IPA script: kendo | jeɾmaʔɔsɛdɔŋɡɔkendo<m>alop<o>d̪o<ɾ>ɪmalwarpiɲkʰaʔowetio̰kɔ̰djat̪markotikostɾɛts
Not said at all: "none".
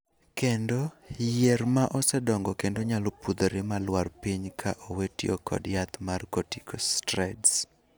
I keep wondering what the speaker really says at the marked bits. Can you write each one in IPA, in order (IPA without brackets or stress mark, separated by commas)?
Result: ɲ, u, ɾ